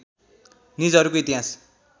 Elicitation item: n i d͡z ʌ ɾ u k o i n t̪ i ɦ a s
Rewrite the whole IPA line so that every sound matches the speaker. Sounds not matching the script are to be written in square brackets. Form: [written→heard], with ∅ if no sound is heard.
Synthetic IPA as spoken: n i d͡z ʌ ɾ u k o i [n→∅] t̪ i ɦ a s